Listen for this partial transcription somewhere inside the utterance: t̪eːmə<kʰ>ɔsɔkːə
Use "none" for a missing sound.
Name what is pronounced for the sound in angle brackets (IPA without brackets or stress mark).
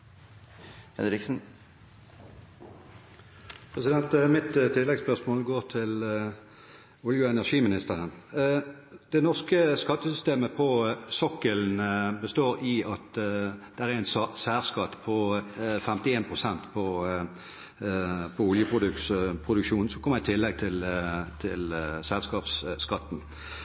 pʰ